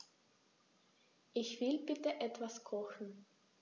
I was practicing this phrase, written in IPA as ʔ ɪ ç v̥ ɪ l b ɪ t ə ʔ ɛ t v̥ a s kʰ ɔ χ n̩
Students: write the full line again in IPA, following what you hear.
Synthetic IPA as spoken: ʔ ɪ ç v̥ ɪ l b ɪ t ə ʔ ɛ t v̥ a s kʰ ɔ x n̩